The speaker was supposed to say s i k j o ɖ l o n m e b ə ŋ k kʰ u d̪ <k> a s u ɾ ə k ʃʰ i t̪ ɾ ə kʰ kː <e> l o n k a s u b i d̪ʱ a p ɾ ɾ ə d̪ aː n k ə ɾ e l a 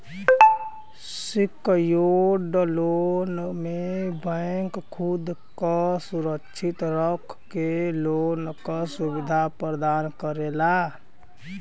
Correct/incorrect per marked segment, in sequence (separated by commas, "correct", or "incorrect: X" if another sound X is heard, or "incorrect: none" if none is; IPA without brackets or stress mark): correct, correct